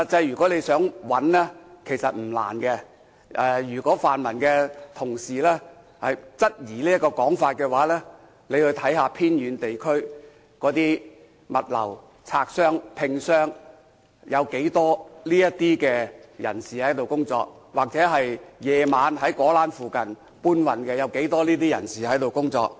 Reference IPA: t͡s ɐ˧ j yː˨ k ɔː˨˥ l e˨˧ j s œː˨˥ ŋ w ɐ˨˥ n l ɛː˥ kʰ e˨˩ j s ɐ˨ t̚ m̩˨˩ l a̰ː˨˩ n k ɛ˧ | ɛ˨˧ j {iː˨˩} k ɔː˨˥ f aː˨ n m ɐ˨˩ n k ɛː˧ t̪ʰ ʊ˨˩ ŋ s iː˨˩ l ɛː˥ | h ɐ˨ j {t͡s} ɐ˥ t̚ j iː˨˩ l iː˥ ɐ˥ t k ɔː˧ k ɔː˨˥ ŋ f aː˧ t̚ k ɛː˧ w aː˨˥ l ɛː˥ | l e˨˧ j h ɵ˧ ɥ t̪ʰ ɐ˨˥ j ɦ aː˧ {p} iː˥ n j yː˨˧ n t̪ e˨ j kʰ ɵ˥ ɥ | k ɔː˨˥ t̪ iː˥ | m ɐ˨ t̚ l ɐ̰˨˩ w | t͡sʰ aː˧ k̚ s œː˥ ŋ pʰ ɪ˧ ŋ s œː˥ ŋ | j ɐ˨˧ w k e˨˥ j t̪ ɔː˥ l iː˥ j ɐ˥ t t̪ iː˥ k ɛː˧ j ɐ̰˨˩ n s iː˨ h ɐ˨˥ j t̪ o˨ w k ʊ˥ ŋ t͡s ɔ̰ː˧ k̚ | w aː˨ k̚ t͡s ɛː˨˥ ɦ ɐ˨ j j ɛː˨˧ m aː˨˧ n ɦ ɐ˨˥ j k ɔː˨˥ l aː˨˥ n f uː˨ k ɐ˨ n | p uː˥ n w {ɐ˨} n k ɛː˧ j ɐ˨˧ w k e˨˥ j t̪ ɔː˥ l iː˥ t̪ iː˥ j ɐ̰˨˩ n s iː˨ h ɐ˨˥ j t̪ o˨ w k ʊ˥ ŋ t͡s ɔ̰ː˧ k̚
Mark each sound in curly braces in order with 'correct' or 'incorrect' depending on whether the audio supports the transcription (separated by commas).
incorrect, correct, incorrect, correct